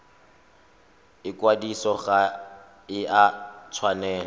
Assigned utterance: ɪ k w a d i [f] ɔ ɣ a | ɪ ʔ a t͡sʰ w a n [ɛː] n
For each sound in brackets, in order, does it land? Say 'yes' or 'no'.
no, yes

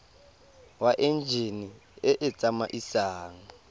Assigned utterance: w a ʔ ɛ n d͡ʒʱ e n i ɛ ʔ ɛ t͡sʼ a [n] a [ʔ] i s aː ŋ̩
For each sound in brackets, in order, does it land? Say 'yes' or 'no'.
no, yes

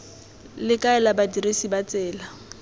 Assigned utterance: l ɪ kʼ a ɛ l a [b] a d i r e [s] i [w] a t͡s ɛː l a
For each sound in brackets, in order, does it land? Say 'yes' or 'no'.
yes, yes, no

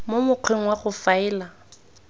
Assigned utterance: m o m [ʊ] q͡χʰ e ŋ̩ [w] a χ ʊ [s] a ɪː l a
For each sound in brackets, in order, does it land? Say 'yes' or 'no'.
yes, yes, no

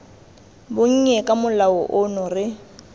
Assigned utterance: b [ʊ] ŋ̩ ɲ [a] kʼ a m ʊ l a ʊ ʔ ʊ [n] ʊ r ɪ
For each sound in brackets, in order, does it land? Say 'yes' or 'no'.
yes, no, yes

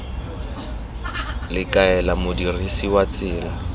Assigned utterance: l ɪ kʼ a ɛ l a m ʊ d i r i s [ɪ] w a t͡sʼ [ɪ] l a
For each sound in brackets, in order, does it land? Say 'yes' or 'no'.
no, no

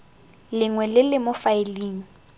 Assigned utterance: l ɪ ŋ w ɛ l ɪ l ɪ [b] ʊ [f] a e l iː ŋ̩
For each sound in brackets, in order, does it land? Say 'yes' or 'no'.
no, yes

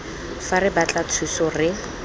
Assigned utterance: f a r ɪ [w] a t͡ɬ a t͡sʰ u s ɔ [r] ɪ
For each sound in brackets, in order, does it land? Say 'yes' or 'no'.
no, yes

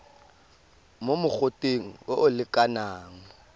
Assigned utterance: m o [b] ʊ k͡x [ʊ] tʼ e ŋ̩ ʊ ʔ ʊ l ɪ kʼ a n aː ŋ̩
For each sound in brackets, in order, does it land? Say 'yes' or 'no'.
no, yes

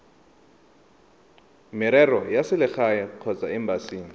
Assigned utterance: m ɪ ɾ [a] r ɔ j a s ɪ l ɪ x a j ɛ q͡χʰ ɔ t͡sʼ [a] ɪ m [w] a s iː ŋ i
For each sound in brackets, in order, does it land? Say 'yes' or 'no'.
no, yes, no

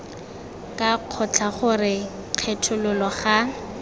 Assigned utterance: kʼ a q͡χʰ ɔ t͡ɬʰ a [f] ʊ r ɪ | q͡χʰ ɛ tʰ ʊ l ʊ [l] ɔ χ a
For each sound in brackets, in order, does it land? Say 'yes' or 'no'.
no, yes

